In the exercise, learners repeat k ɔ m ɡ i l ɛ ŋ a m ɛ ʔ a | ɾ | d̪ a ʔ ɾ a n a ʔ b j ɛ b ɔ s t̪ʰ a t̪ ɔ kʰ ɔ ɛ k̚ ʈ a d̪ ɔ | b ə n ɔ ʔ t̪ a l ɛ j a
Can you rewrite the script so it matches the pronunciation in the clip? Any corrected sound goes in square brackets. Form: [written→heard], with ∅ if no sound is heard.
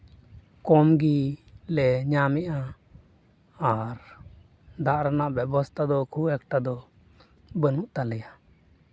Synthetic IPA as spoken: k ɔ m ɡ i l ɛ [ŋ→ɲ] a m ɛ ʔ a | ɾ | d̪ a ʔ ɾ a n a ʔ b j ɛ b ɔ s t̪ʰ a [t̪→d̪] ɔ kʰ [ɔ→u] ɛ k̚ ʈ a d̪ ɔ | b ə n [ɔ→u] ʔ t̪ a l ɛ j a